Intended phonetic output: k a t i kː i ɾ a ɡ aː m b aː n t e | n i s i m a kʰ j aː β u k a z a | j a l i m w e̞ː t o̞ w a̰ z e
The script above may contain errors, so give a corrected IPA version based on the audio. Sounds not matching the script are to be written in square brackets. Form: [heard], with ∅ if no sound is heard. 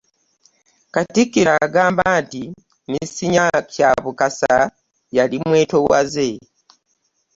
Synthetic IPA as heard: k a t i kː i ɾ a ɡ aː m b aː n t [i] | n i s i [ɲ] a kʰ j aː β u k a [s] a | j a l i m w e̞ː t o̞ w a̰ z e